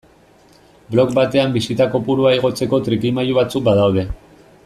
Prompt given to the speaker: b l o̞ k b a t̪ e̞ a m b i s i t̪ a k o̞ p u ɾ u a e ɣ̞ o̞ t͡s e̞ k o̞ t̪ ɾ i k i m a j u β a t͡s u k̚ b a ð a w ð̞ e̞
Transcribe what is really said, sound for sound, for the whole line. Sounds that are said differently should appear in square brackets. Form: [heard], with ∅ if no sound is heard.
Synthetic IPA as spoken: b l o̞ k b a t̪ e̞ a m b i s i t̪ a k o̞ p u ɾ u a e ɣ̞ o̞ t͡s e̞ k o̞ t̪ ɾ i k i m a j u β a t͡s u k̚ b a ð a w ð̞ e̞